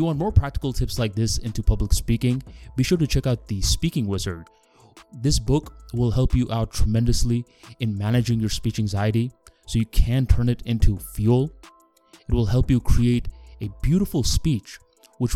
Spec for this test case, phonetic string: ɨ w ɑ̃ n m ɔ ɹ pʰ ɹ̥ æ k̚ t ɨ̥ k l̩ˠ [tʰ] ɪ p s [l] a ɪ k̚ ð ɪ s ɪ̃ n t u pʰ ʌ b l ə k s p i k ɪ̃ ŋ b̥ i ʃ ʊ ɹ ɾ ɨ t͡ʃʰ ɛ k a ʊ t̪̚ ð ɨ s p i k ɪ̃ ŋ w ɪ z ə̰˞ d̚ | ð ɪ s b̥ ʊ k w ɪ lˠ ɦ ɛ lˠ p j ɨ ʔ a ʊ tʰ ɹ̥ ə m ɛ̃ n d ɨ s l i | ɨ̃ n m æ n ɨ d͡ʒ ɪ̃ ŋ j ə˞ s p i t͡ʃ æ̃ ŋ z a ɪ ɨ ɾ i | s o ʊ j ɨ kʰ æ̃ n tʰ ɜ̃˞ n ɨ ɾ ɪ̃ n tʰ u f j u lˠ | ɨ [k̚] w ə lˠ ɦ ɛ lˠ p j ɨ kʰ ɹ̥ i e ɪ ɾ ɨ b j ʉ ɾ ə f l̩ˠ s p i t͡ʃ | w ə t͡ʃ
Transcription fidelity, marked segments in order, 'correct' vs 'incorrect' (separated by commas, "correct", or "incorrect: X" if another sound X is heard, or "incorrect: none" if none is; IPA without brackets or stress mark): correct, correct, incorrect: t̚